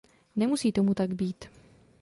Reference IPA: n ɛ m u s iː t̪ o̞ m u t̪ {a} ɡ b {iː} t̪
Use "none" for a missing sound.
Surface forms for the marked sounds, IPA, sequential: a, iː

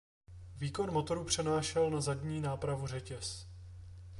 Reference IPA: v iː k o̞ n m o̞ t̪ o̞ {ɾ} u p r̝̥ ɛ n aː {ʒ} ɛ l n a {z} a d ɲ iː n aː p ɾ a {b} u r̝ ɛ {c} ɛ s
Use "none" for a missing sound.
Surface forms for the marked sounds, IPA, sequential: ɾ, ʃ, z, v, c

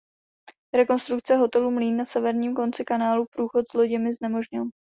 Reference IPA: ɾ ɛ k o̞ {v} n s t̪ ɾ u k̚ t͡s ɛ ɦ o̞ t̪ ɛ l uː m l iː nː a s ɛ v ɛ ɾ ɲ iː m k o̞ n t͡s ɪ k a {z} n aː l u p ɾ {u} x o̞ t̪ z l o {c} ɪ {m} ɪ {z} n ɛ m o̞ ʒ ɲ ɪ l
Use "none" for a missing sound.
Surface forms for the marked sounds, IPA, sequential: none, none, uː, ɟ, m, z

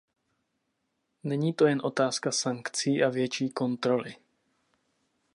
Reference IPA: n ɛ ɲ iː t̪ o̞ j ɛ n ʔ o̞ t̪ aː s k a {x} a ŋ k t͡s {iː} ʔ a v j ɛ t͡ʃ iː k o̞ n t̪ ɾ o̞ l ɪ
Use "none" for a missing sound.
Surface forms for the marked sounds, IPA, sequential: s, iː

